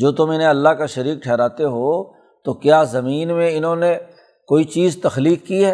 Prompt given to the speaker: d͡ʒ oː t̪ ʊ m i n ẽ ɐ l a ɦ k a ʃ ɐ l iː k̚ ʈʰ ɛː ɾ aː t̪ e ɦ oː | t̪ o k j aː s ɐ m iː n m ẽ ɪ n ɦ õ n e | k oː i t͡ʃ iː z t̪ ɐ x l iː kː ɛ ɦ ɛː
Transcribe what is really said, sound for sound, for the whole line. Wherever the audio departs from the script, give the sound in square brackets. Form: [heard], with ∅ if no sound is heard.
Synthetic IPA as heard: d͡ʒ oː t̪ ʊ m [ɪ] n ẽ ɐ [lː] a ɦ k a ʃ ɐ [ɾ] iː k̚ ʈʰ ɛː ɾ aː t̪ e ɦ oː | t̪ o k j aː [z] ɐ m iː n m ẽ ɪ n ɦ õ n e | k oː i t͡ʃ iː z t̪ ɐ x l iː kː [i] ɦ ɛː